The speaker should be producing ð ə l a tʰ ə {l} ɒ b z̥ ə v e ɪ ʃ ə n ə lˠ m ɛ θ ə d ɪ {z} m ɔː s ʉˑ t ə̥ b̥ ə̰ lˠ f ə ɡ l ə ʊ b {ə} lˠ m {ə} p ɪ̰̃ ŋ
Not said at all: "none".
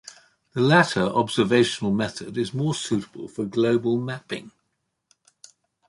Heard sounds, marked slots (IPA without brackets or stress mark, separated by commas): ɹ, z, ə, a